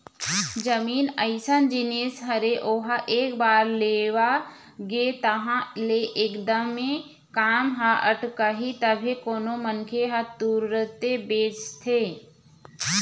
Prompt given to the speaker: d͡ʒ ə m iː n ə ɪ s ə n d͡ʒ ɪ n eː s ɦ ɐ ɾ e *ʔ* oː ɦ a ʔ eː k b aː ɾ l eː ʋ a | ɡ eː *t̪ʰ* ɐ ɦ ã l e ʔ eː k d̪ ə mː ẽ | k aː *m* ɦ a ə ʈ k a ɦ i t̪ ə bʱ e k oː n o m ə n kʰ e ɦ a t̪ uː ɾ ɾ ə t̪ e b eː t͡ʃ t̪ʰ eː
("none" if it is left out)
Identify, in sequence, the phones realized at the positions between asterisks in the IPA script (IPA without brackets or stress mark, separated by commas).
ʔ, t̪, m